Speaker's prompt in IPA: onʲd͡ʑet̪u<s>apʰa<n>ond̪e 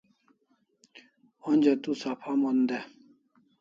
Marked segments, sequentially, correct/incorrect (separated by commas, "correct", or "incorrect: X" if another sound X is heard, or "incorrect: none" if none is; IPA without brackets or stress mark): correct, incorrect: m